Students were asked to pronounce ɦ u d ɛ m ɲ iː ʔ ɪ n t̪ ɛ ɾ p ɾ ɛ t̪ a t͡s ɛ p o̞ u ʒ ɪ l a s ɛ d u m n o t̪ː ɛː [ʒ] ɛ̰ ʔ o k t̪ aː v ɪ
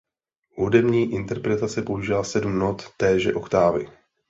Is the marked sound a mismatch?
no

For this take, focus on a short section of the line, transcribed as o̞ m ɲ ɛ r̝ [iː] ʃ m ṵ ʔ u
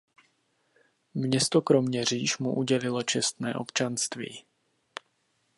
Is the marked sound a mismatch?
no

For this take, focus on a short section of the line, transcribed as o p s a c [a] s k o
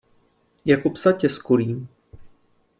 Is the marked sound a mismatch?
yes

